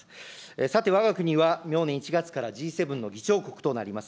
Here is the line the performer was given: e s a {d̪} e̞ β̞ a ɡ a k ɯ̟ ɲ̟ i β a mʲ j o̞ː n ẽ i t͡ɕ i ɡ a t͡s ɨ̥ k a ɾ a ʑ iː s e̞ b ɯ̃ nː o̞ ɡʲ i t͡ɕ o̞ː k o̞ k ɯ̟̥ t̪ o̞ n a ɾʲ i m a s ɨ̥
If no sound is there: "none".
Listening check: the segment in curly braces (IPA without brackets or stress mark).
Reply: t̪